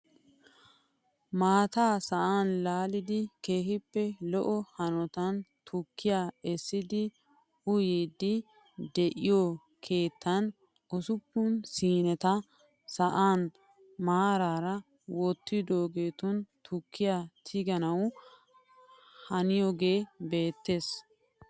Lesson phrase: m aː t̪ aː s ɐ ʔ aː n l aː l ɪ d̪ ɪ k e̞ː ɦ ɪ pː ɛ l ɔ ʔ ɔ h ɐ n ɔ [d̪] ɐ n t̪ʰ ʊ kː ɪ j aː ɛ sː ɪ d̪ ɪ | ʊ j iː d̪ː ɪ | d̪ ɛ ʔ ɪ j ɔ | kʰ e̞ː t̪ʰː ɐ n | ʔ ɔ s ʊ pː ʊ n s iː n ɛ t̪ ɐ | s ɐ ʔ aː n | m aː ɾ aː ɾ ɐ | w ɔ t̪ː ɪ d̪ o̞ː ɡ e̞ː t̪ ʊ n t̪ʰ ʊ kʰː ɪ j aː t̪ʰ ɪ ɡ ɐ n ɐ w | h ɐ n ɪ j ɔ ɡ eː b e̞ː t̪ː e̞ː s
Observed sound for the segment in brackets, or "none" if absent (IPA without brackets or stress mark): t̪